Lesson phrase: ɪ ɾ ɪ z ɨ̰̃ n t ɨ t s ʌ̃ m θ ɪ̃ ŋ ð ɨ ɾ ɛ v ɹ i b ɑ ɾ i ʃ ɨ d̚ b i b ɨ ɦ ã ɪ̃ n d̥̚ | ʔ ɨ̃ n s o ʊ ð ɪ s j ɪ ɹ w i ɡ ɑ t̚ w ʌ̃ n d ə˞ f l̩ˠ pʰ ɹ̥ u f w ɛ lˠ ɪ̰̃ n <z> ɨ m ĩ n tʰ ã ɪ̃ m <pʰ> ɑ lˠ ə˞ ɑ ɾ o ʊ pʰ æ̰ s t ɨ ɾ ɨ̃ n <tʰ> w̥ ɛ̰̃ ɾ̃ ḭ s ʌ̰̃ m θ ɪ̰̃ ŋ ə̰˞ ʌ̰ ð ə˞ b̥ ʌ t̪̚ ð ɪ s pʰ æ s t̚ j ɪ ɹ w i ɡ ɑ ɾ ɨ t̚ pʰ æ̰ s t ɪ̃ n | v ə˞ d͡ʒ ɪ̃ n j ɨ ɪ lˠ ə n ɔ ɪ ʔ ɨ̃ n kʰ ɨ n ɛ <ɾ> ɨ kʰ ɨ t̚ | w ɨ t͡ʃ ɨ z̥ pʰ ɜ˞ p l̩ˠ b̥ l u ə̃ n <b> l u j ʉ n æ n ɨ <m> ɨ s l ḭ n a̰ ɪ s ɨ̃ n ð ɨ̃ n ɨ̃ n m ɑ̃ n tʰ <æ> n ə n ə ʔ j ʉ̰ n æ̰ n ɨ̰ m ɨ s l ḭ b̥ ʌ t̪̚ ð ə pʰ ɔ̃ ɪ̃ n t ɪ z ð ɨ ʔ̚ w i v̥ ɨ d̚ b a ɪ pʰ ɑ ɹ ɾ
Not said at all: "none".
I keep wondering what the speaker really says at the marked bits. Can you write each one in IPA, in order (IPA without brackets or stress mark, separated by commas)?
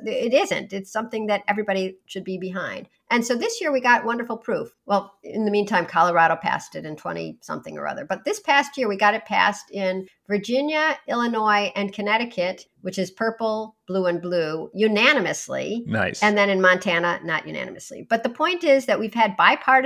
ð, kʰ, tʰ, ɾ, b, m, æ